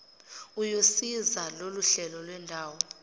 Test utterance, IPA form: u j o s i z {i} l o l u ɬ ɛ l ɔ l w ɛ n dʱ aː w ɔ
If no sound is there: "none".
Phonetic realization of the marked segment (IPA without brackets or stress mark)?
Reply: a